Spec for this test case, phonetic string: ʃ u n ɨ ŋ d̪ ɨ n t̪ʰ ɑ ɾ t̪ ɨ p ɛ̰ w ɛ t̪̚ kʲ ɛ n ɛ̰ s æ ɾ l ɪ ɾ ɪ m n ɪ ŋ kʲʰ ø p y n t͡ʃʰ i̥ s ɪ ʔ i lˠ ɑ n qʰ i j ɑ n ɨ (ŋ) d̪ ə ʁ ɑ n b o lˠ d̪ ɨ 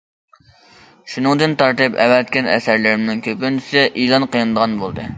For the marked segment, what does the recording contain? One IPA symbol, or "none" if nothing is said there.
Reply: none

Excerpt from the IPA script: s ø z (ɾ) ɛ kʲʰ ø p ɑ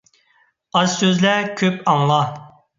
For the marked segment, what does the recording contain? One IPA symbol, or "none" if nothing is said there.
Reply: l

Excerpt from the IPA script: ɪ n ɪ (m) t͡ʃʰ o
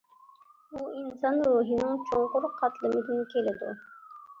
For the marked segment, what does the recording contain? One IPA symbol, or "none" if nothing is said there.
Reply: ŋ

